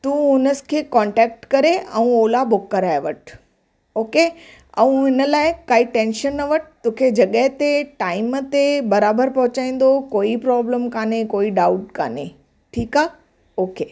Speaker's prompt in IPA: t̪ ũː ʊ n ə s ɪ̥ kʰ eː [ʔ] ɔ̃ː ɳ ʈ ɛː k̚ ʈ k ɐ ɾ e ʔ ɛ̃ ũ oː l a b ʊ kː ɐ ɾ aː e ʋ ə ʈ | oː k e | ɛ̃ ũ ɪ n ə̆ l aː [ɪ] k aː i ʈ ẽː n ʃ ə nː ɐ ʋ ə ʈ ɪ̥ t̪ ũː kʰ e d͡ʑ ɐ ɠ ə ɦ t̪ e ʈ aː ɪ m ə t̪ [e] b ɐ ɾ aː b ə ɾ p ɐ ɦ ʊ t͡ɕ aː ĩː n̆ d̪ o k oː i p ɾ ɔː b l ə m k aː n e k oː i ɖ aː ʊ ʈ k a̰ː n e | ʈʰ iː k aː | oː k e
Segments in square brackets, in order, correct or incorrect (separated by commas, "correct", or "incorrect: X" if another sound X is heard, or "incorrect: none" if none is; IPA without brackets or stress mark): incorrect: k, correct, correct